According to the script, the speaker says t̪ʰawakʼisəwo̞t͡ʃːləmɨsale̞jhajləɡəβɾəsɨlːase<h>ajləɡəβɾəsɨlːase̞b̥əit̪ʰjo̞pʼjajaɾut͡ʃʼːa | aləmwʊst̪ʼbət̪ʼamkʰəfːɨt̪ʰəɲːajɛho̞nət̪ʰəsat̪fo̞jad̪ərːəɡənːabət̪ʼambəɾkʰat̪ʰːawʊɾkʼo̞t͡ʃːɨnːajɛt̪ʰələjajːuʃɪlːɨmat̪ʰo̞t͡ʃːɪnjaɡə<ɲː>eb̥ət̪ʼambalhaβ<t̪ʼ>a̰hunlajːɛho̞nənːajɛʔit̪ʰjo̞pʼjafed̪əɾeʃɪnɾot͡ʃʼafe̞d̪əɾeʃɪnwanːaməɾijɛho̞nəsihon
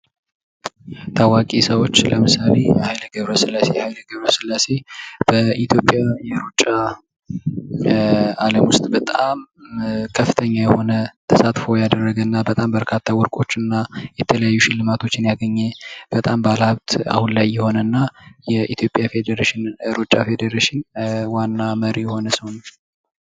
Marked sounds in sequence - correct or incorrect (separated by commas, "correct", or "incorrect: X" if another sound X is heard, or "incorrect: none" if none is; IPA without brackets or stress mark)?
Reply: correct, correct, incorrect: t̪